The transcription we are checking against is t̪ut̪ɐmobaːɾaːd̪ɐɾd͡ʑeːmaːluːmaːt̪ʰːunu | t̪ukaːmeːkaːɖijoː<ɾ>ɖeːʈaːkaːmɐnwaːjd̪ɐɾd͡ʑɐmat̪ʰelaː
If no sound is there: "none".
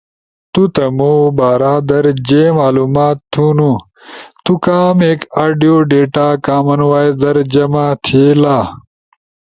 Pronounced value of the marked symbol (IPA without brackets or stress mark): none